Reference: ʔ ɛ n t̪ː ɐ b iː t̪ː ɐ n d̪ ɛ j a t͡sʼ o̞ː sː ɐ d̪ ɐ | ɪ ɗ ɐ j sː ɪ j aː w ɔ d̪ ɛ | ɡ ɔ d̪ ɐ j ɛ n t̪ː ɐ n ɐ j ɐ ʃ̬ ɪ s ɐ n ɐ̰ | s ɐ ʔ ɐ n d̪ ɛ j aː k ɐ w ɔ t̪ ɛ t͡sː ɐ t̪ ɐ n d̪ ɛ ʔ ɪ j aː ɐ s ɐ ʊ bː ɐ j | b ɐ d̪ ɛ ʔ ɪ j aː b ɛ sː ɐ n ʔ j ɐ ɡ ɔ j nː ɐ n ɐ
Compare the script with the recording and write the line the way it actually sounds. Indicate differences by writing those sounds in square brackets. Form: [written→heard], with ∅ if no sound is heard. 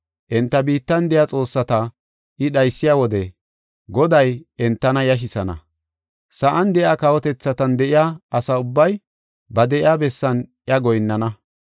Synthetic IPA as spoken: ʔ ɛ n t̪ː ɐ b iː t̪ː ɐ n d̪ ɛ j a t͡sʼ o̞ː sː ɐ [d̪→t̪] ɐ | ɪ ɗ ɐ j sː ɪ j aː w ɔ d̪ ɛ | ɡ ɔ d̪ ɐ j ɛ n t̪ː ɐ n ɐ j ɐ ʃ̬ ɪ s ɐ n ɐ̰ | s ɐ ʔ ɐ n d̪ ɛ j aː k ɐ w ɔ t̪ ɛ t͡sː ɐ t̪ ɐ n d̪ ɛ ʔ ɪ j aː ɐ s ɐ ʊ bː ɐ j | b ɐ d̪ ɛ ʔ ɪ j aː b ɛ sː ɐ n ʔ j ɐ ɡ ɔ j nː ɐ n ɐ